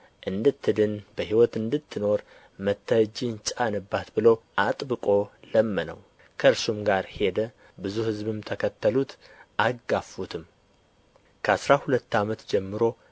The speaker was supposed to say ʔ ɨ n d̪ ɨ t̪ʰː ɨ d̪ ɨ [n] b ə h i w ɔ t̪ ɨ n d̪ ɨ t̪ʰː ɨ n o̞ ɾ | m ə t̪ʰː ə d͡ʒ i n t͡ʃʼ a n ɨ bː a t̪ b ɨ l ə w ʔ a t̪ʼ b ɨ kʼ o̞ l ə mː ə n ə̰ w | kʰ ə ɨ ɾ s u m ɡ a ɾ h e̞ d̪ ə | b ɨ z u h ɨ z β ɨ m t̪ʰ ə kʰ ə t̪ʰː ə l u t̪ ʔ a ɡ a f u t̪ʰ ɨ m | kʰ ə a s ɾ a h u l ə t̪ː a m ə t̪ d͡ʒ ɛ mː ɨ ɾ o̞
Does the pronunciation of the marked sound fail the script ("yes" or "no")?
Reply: no